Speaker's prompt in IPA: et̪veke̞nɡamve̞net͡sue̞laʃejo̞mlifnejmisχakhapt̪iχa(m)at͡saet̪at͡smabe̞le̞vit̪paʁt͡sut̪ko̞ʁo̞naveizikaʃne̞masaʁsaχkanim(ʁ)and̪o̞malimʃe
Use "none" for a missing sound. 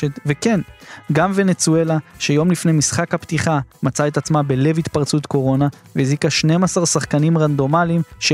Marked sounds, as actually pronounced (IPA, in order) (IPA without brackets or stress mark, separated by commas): m, ʁ